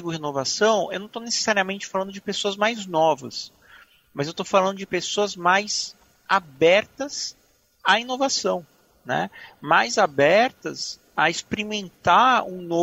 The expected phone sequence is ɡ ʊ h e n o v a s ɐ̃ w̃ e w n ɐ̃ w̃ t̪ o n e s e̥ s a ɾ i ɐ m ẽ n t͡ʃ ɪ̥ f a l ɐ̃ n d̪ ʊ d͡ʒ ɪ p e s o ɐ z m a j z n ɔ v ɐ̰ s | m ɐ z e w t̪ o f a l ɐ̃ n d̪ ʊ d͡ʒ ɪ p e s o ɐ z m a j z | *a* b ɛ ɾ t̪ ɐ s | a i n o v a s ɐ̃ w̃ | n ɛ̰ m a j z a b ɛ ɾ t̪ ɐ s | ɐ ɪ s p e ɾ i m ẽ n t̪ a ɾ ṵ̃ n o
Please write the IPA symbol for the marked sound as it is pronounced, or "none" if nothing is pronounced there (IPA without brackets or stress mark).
a